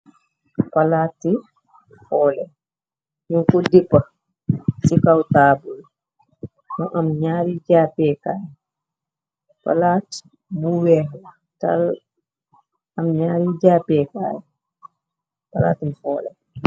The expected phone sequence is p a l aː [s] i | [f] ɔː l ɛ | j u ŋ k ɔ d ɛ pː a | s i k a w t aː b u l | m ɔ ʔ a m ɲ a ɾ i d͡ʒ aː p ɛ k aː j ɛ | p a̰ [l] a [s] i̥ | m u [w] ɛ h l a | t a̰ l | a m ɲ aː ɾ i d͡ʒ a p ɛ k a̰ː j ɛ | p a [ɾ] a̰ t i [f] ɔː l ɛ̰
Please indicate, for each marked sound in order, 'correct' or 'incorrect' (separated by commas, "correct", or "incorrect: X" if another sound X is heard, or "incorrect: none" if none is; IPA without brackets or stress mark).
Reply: incorrect: t, correct, correct, incorrect: t, correct, incorrect: l, correct